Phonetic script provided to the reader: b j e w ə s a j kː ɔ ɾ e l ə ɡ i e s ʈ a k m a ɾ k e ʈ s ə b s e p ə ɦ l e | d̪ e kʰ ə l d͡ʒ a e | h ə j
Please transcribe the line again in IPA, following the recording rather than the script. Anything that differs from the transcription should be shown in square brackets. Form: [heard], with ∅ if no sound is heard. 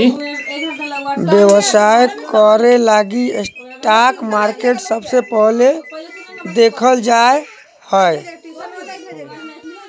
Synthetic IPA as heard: b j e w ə s a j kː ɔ ɾ e l [a] ɡ i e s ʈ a k m a ɾ k e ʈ s ə b s e p ə ɦ l e | d̪ e kʰ ə l d͡ʒ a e | h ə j

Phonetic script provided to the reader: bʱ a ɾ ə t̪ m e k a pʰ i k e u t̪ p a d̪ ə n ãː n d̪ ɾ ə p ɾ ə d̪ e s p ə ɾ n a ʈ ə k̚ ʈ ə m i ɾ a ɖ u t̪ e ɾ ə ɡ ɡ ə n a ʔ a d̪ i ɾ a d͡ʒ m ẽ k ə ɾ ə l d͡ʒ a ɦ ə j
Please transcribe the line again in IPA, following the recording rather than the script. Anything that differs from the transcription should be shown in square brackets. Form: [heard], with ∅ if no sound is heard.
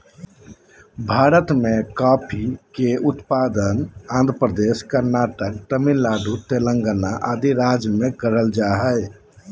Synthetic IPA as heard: bʱ a ɾ ə t̪ m e k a pʰ i k e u t̪ p a d̪ ə n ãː n d̪ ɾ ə p ɾ ə d̪ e s [k] ə ɾ n a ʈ ə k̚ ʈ ə m i [l] a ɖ u t̪ e [l] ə [ŋ] ɡ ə n a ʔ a d̪ i ɾ a d͡ʒ m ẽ k ə ɾ ə l d͡ʒ a ɦ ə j

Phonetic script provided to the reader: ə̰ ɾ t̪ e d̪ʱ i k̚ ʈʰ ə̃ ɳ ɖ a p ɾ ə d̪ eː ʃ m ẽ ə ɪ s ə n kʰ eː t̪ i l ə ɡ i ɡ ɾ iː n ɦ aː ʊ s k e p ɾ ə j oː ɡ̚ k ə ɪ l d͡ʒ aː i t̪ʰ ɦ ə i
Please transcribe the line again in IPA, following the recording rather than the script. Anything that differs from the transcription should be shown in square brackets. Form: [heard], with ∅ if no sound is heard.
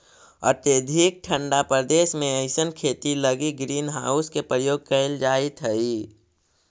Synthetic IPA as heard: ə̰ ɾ t̪ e d̪ʱ i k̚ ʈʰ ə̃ ɳ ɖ a p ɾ ə d̪ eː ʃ m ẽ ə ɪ s ə n kʰ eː t̪ i l ə ɡ i ɡ ɾ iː n ɦ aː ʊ s k e p ɾ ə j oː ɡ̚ k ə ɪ l d͡ʒ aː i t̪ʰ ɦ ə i

